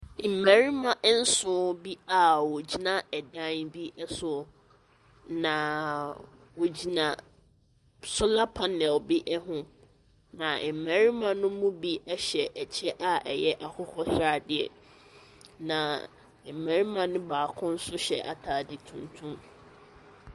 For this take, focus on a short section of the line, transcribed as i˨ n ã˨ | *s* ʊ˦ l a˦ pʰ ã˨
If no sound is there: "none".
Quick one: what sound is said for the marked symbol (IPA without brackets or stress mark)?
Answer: s